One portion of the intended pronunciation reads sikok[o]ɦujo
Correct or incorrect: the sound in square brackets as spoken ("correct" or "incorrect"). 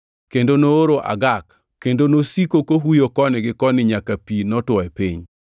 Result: correct